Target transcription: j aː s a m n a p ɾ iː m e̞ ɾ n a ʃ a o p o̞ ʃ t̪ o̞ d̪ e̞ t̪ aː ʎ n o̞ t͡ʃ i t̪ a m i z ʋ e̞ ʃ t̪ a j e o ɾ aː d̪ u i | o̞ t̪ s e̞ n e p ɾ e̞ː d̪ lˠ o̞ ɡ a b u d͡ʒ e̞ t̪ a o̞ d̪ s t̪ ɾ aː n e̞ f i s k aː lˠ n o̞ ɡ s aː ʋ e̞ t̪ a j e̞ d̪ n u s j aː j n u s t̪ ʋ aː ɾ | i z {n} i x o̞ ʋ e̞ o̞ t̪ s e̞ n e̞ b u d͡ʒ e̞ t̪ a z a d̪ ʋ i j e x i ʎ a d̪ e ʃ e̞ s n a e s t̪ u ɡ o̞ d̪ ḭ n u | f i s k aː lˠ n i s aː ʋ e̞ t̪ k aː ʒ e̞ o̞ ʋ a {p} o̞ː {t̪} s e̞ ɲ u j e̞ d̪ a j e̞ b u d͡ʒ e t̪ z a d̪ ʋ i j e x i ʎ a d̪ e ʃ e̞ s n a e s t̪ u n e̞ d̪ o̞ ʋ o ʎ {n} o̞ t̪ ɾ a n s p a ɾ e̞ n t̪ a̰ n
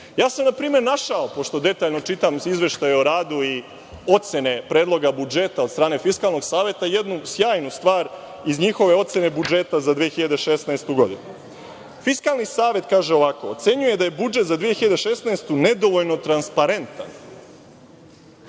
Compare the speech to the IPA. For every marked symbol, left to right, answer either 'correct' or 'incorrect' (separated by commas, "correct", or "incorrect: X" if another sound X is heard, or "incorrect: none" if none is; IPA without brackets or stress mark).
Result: incorrect: ɲ, incorrect: k, correct, correct